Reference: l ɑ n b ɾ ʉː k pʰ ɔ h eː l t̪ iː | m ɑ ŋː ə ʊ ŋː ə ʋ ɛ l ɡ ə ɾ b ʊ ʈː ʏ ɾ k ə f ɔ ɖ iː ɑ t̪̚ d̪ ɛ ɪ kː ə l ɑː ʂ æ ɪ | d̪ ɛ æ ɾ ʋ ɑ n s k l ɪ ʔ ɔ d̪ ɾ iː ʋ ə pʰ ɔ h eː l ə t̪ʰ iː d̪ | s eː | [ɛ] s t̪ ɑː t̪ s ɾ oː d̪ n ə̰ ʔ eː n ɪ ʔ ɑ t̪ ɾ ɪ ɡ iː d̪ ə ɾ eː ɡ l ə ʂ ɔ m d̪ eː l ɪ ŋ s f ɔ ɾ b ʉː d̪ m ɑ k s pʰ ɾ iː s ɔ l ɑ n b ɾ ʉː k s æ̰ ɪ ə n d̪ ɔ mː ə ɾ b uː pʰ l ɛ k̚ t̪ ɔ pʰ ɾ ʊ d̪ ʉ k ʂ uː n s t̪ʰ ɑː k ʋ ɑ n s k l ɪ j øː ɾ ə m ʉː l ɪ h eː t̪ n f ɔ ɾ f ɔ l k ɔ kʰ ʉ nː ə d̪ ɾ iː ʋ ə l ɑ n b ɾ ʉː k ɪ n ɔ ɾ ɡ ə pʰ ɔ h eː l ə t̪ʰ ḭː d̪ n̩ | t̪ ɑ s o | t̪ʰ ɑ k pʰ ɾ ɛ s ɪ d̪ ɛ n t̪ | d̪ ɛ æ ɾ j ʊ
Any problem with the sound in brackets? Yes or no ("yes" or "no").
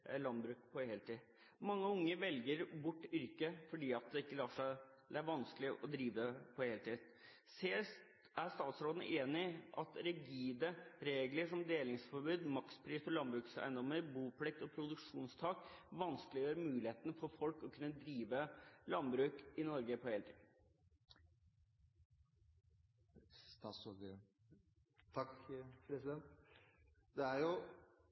yes